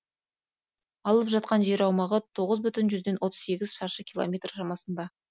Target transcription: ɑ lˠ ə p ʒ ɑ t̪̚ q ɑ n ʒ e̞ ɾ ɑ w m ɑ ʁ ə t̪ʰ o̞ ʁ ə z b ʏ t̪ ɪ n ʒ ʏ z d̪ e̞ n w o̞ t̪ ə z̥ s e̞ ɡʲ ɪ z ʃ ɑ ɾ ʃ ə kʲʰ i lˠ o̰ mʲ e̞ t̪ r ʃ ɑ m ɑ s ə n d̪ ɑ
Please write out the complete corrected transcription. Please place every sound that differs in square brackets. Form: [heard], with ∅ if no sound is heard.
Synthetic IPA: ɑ lˠ ə p ʒ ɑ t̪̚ q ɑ n ʒ e̞ ɾ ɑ w m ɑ ʁ ə t̪ʰ o̞ ʁ ə z b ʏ t̪ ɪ n ʒ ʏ z d̪ e̞ n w o̞ t̪ ə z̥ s e̞ ɡʲ ɪ z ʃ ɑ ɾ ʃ ə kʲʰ i lˠ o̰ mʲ e̞ t̪ r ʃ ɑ m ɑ s ə n d̪ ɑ